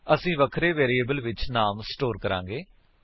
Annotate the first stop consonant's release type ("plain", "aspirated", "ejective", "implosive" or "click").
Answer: aspirated